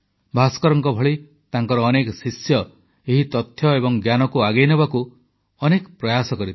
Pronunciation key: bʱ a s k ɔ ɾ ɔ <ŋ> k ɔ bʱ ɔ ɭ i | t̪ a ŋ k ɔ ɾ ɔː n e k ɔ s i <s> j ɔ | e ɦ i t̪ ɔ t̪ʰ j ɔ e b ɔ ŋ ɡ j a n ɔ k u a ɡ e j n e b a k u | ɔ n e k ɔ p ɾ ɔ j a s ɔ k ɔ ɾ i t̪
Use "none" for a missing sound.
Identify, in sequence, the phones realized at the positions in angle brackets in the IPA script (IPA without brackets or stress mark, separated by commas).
ŋ, s